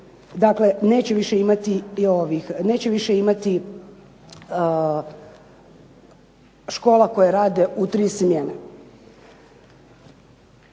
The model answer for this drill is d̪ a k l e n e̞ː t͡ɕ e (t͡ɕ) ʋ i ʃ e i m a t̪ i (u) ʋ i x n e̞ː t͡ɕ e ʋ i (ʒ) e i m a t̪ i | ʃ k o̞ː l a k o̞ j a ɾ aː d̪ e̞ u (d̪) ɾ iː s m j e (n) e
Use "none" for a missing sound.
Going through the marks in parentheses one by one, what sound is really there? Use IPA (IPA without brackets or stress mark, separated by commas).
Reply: none, o, ʃ, t̪, n